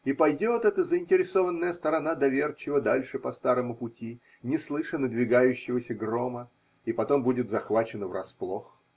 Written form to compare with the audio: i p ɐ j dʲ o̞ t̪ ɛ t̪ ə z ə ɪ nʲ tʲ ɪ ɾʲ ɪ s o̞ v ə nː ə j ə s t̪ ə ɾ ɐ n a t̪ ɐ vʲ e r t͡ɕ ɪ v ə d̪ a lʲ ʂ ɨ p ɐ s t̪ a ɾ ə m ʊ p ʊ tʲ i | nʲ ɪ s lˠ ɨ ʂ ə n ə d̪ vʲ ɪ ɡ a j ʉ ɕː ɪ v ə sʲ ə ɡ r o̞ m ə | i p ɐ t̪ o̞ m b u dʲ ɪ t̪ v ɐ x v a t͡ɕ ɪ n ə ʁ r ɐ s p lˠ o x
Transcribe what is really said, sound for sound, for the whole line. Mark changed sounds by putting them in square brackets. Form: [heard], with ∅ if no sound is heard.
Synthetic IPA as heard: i p ɐ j dʲ o̞ t̪ ɛ t̪ ə z ə ɪ nʲ tʲ ɪ ɾʲ ɪ s o̞ v ə nː ə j ə s t̪ ə ɾ ɐ n a [d̪] ɐ vʲ e r t͡ɕ ɪ v ə d̪ a lʲ ʂ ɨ p ɐ s t̪ a ɾ ə m ʊ p ʊ tʲ i | nʲ ɪ s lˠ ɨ ʂ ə n ə d̪ vʲ ɪ ɡ a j ʉ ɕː ɪ v ə sʲ ə ɡ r o̞ m ə | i p ɐ t̪ o̞ m b u dʲ ɪ t̪ [z] ɐ x v a t͡ɕ ɪ n ə [v] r ɐ s p lˠ o x